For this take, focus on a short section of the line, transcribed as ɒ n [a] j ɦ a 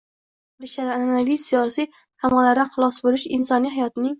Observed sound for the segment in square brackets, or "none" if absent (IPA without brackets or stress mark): i